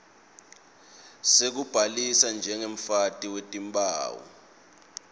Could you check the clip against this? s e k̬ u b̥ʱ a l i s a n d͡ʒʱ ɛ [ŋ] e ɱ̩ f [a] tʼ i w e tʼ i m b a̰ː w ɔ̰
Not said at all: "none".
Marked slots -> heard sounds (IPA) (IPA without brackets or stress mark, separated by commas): ŋ, a